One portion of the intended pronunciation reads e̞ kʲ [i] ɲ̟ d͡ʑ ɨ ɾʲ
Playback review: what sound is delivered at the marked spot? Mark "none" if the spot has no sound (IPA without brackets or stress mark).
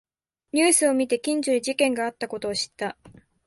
ĩ